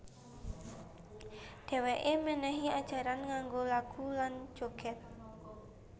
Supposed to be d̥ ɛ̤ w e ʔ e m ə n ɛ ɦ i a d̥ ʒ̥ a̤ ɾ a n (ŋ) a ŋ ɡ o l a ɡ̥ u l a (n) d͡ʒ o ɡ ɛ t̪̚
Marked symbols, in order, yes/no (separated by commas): yes, yes